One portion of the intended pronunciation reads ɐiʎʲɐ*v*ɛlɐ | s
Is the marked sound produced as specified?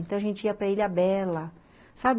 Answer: no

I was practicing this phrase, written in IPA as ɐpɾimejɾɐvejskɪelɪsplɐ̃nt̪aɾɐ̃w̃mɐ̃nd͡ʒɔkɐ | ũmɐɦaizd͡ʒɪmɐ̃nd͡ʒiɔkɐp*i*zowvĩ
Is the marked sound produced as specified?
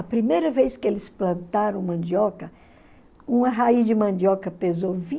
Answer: no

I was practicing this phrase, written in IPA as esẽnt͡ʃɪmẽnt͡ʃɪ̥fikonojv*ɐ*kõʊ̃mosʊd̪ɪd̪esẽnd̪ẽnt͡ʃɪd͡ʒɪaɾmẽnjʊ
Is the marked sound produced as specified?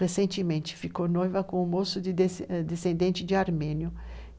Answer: yes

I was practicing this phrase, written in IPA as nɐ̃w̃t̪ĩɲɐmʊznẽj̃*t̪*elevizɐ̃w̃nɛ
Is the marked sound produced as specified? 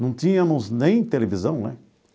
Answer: yes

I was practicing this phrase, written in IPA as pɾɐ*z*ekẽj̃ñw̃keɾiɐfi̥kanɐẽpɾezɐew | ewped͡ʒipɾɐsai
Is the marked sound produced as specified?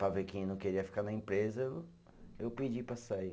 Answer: no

